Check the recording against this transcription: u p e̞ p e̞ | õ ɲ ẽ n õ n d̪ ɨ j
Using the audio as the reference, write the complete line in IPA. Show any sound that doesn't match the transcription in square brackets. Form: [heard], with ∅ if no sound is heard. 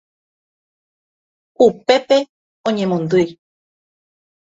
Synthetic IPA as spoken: u p e̞ p e̞ | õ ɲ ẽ [m] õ n d̪ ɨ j